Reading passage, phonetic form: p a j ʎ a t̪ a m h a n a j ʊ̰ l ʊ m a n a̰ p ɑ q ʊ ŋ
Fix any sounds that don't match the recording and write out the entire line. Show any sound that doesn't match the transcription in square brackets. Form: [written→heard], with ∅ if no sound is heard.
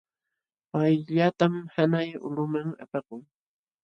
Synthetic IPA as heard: p a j ʎ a t̪ a m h a n a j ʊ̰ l ʊ m a [n→ŋ] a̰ p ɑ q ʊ ŋ